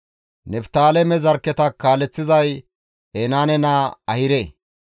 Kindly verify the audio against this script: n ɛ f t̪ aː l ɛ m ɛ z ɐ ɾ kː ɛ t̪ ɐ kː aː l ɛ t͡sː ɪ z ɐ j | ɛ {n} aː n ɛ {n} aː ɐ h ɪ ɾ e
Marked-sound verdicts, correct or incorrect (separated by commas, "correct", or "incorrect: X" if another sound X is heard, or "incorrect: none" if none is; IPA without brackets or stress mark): correct, correct